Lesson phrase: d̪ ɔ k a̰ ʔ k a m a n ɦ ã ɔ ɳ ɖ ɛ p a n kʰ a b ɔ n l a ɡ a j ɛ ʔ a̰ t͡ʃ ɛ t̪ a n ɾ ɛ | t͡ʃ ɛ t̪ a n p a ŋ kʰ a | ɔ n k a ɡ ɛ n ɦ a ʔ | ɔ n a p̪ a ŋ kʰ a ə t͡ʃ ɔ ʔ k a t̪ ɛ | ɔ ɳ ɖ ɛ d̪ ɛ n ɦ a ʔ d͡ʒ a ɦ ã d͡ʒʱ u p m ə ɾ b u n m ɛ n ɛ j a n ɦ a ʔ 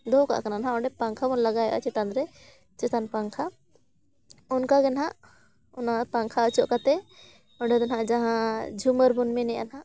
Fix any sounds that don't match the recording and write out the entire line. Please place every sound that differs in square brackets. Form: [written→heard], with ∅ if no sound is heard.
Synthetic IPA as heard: d̪ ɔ k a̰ ʔ k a [m→n] a n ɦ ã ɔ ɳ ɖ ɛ p a [n→ŋ] kʰ a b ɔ n l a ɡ a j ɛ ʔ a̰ t͡ʃ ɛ t̪ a n ɾ ɛ | t͡ʃ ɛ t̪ a n p a ŋ kʰ a | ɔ n k a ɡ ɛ n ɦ a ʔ | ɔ n a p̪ a ŋ kʰ a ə t͡ʃ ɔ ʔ k a t̪ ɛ | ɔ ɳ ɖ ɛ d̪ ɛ n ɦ a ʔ d͡ʒ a ɦ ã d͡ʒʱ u [p→∅] m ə ɾ b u n m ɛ n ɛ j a n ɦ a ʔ